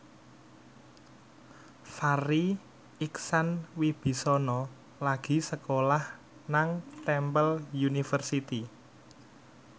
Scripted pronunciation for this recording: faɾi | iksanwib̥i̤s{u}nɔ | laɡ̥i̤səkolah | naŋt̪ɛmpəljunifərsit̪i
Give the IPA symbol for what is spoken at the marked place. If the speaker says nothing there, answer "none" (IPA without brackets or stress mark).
ɔ